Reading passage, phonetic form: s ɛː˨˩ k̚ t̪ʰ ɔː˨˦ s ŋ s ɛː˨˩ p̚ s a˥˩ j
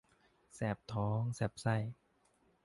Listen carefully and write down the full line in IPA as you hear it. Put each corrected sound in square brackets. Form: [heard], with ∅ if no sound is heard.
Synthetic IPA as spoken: s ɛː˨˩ [p̚] t̪ʰ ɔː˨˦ [∅] ŋ s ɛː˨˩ p̚ s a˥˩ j